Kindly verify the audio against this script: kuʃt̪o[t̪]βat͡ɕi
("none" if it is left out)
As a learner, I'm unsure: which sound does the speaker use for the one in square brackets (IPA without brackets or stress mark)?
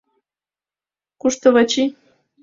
none